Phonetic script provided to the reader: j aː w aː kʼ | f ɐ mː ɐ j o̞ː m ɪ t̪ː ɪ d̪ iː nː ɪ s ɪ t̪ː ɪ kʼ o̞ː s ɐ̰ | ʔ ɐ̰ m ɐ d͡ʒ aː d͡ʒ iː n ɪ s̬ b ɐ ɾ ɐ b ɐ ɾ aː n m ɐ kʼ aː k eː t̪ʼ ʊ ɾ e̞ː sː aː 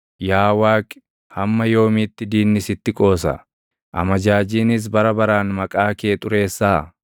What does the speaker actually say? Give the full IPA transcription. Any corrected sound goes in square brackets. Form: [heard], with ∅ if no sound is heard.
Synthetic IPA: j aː w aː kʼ | [h] ɐ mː ɐ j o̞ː m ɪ t̪ː ɪ d̪ iː nː ɪ s ɪ t̪ː ɪ kʼ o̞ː s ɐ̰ | ʔ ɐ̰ m ɐ d͡ʒ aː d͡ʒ iː n ɪ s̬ b ɐ ɾ ɐ b ɐ ɾ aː n m ɐ kʼ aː k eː t̪ʼ ʊ ɾ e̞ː sː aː